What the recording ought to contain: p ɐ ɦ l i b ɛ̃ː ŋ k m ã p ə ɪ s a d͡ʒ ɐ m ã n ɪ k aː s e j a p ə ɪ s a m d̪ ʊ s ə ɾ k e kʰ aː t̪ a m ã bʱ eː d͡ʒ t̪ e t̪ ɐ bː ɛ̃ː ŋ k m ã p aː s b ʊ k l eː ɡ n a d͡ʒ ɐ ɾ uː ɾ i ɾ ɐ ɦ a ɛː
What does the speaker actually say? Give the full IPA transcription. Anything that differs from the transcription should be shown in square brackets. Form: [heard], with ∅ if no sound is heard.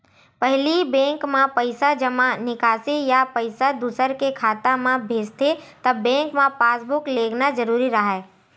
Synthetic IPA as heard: p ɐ ɦ l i b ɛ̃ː ŋ k m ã p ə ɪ s a d͡ʒ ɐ m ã n ɪ k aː s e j a p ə ɪ s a [∅] d̪ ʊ s ə ɾ k e kʰ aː t̪ a m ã bʱ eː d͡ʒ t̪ e t̪ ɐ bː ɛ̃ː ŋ k m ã p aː s b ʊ k l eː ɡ n a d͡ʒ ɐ ɾ uː ɾ i ɾ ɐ ɦ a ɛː